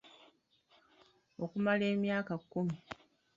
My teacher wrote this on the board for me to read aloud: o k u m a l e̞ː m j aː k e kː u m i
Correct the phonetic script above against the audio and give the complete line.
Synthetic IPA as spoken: o k u m a l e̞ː m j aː k a kː u m i